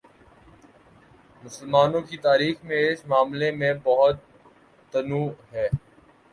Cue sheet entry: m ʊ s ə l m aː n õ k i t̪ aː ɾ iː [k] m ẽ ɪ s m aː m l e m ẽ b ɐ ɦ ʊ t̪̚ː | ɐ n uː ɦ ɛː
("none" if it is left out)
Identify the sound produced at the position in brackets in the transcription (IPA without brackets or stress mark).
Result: x